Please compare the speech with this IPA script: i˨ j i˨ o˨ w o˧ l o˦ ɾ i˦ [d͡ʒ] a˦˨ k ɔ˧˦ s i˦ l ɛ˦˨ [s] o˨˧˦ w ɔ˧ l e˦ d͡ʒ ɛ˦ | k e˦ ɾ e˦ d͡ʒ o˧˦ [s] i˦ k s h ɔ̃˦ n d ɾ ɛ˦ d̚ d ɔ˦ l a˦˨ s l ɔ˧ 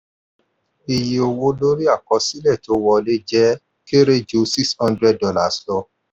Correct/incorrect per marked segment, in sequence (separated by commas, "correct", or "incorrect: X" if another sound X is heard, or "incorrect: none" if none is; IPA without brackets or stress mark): incorrect: none, incorrect: t, correct